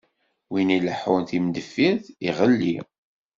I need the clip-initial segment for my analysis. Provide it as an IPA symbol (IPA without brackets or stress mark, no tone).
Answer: w